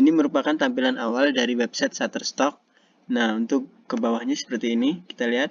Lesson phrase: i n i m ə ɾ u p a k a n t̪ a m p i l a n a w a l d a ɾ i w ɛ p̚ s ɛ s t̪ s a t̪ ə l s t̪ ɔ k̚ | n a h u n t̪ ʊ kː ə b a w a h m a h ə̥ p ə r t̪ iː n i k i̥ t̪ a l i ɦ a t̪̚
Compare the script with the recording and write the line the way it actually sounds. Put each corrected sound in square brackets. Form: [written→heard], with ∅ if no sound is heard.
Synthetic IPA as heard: i n i m ə ɾ u p a k a n t̪ a m p i l a n a w a l d a ɾ i w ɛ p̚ s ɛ [s→∅] t̪ s a t̪ ə [l→r] s t̪ ɔ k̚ | n a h u n t̪ ʊ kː ə b a w a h [m→ɲ] a [h→s] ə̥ p ə r t̪ iː n i k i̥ t̪ a l i ɦ a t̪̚